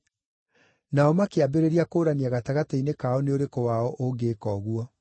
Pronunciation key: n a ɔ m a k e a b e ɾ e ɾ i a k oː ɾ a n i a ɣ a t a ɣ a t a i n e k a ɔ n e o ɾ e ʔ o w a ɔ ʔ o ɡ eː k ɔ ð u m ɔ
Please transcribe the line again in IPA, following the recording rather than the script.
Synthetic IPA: n a ɔ m a k e a b e ɾ e ɾ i a k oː ɾ a n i a ɣ a t a ɣ a t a i n e k a ɔ n e o ɾ e k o w a ɔ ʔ o ɡ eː k ɔ ɣ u ɔ